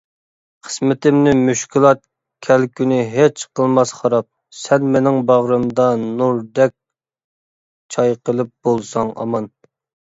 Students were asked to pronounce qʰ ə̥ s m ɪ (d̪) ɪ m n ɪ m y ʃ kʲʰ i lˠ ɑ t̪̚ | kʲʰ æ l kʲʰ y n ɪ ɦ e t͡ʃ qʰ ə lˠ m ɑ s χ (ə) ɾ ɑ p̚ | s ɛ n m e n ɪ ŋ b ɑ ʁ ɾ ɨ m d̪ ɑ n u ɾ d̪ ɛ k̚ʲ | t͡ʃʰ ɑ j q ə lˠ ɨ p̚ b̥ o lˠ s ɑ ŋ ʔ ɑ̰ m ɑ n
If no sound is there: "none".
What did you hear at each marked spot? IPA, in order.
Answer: t̪, ɑ

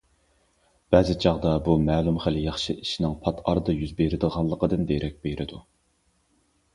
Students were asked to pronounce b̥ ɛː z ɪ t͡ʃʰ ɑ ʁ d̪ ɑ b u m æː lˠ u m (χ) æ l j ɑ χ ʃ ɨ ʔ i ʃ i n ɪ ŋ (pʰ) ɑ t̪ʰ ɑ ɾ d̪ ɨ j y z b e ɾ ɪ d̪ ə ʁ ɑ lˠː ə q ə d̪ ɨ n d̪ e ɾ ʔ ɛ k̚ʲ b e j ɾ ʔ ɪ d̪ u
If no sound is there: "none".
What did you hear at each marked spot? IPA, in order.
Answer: χ, pʰ

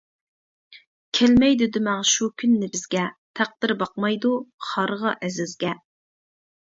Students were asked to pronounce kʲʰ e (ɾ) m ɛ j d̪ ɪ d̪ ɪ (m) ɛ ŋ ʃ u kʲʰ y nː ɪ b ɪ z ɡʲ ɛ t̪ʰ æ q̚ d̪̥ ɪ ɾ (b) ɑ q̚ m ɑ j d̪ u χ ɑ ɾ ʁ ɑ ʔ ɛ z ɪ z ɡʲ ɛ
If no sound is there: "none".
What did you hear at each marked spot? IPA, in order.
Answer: l, m, b

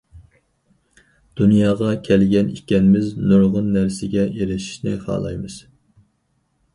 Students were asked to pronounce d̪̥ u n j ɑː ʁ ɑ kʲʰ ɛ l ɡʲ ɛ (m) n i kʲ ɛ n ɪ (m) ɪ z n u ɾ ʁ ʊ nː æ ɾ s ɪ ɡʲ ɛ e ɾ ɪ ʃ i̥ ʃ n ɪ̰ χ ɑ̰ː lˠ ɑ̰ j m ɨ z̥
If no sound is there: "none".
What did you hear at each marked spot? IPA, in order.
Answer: none, m

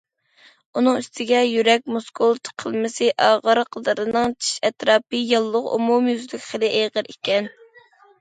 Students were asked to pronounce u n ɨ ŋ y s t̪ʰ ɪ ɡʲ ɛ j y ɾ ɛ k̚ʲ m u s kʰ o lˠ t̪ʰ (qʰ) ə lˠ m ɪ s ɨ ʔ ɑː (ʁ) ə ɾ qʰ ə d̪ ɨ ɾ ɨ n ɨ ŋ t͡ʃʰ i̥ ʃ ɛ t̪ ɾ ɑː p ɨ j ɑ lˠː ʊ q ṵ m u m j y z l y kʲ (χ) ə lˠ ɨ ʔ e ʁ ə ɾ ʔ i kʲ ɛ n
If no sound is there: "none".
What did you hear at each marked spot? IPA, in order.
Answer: qʰ, ʁ, χ

